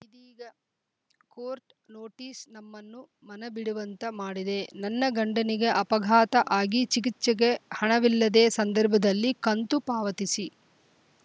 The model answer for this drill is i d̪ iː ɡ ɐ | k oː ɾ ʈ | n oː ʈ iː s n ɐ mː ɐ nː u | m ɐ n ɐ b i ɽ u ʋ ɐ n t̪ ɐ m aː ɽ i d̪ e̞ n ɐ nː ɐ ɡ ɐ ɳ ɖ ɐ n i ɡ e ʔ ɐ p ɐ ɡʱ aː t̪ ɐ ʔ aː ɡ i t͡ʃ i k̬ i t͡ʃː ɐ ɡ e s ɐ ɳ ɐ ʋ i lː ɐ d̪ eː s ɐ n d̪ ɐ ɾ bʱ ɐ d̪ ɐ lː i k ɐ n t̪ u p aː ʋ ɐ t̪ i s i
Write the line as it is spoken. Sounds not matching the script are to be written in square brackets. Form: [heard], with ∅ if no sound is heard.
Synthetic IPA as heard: i d̪ iː ɡ ɐ | k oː ɾ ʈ | n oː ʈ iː s n ɐ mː ɐ nː u | m ɐ n ɐ b i ɽ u ʋ ɐ n t̪ ɐ m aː ɽ i d̪ e̞ n ɐ nː ɐ ɡ ɐ ɳ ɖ ɐ n i ɡ e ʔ ɐ p ɐ ɡʱ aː t̪ ɐ ʔ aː ɡ i t͡ʃ i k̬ i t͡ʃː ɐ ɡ e [h] ɐ ɳ ɐ ʋ i lː ɐ d̪ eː s ɐ n d̪ ɐ ɾ bʱ ɐ d̪ ɐ lː i k ɐ n t̪ u p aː ʋ ɐ t̪ i s i

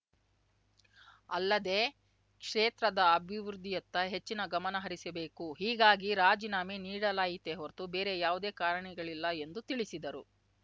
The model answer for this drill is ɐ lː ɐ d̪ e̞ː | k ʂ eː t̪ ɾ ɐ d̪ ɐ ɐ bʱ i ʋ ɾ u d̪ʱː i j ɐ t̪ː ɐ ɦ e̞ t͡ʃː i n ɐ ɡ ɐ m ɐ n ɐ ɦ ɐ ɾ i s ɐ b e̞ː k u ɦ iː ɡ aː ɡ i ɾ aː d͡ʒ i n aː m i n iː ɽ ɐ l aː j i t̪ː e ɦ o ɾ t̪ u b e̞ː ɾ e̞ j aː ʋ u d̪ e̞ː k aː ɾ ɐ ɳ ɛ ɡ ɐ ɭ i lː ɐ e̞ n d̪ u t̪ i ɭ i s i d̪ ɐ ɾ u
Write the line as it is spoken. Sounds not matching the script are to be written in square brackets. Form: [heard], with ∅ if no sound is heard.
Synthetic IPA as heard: ɐ lː ɐ d̪ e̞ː | k ʂ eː t̪ ɾ ɐ d̪ ɐ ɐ bʱ i ʋ ɾ u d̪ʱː i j ɐ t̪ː ɐ ɦ e̞ t͡ʃː i n ɐ ɡ ɐ m ɐ n ɐ ɦ ɐ ɾ i s ɐ b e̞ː k u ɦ iː ɡ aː ɡ i ɾ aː d͡ʒ i n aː m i n iː ɽ ɐ l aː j i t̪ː e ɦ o ɾ t̪ u b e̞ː ɾ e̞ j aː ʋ u d̪ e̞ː k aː ɾ ɐ ɳ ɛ ɡ ɐ ɭ i lː ɐ e̞ n d̪ u t̪ i ɭ i s i d̪ ɐ ɾ u

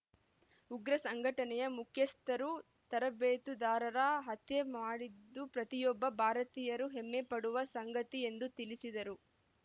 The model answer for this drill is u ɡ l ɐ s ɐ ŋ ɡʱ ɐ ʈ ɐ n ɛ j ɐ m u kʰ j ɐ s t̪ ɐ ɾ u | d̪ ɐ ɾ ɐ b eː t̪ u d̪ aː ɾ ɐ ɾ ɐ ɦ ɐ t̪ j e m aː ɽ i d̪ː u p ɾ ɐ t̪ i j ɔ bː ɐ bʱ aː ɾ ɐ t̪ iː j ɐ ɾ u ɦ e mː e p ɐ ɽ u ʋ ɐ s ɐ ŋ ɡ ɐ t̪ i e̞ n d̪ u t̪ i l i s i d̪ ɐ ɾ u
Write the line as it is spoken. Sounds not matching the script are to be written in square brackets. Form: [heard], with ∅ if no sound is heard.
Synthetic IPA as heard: u ɡ [ɾ] ɐ s ɐ ŋ ɡʱ ɐ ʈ ɐ n ɛ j ɐ m u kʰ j ɐ s t̪ ɐ ɾ u | [t̪] ɐ ɾ ɐ b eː t̪ u d̪ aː ɾ ɐ ɾ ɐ ɦ ɐ t̪ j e m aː ɽ i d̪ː u p ɾ ɐ t̪ i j ɔ bː ɐ bʱ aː ɾ ɐ t̪ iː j ɐ ɾ u ɦ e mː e p ɐ ɽ u ʋ ɐ s ɐ ŋ ɡ ɐ t̪ i e̞ n d̪ u t̪ i l i s i d̪ ɐ ɾ u

